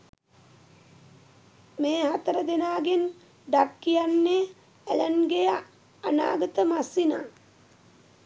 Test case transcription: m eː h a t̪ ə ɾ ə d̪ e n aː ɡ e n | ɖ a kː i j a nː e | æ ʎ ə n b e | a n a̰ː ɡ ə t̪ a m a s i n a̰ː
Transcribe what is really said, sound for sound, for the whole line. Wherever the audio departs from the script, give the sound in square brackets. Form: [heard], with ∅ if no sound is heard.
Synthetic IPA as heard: m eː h a t̪ ə ɾ ə d̪ e n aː ɡ e n | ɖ a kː i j a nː e | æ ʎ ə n [ɡ] e | a n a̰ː ɡ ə t̪ [ə] m a s i n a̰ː